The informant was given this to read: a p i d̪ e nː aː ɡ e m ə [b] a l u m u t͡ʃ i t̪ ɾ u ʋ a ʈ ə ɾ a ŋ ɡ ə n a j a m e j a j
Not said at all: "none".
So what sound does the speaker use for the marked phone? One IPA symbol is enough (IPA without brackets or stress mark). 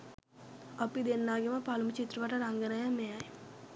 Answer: p